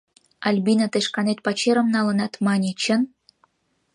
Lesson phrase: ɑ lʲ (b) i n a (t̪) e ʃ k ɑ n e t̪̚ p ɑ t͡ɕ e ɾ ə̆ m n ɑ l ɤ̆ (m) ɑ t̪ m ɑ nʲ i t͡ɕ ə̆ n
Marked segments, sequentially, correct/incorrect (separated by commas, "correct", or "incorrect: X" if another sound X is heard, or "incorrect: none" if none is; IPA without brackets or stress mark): correct, correct, incorrect: n